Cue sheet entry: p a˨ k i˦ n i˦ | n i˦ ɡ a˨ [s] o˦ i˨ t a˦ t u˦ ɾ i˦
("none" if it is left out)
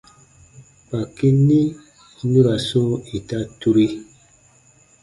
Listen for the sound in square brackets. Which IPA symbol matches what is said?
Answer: s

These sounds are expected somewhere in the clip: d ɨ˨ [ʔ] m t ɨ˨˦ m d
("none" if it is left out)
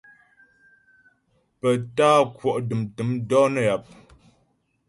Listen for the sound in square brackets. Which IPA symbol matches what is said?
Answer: none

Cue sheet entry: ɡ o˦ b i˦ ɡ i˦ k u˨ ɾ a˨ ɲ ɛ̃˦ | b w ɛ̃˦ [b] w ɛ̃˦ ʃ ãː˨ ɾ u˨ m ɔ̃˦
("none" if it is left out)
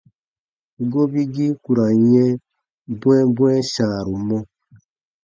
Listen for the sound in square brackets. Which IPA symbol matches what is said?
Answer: b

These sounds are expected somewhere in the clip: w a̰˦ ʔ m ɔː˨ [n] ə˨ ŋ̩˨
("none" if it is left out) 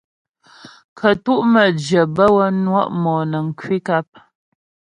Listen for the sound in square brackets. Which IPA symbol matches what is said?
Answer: n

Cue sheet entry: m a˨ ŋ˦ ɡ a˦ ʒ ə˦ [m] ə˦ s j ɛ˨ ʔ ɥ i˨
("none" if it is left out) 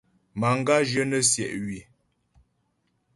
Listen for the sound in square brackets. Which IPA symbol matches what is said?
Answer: n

